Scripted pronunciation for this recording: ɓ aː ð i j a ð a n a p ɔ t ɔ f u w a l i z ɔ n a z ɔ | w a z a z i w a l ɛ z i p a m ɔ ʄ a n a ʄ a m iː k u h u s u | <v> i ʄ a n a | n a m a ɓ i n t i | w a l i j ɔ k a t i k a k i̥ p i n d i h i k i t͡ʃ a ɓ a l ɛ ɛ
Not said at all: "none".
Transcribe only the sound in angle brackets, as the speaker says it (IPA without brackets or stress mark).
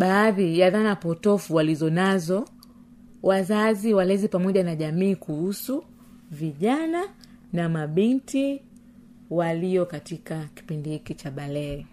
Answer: v